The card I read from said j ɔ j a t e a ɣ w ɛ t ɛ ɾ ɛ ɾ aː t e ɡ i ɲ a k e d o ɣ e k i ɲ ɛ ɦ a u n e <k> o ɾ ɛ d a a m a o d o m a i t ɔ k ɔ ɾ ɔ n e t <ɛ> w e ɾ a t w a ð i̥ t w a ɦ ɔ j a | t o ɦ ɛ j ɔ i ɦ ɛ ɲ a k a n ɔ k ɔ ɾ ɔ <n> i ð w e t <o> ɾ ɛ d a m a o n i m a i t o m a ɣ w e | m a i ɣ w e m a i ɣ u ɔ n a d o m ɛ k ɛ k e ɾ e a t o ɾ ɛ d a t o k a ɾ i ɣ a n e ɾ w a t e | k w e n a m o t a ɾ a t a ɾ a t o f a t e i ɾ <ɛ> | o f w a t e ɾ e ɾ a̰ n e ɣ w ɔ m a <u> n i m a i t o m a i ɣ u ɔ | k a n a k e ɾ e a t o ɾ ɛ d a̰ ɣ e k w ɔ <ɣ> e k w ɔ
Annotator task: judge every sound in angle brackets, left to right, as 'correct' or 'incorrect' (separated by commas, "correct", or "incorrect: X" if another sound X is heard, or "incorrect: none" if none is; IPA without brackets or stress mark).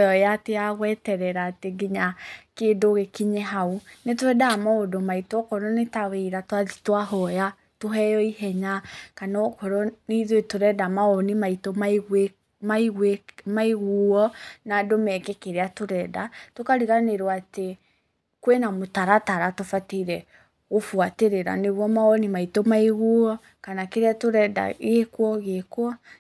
incorrect: t, incorrect: a, correct, correct, correct, incorrect: ɔ, correct